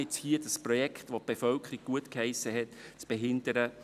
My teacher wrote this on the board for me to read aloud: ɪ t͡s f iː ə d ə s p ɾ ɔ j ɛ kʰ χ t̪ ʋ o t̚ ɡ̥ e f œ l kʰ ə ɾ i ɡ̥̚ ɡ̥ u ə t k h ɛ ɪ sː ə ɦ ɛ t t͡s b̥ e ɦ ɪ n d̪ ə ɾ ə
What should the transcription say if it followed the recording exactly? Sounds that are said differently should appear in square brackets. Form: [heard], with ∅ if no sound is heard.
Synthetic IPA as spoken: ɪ t͡s [h] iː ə d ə s p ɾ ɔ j ɛ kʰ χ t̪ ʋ o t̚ [b̥] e f œ l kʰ ə ɾ i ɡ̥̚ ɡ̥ u ə t k h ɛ ɪ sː ə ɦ ɛ t t͡s b̥ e ɦ ɪ n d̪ ə ɾ ə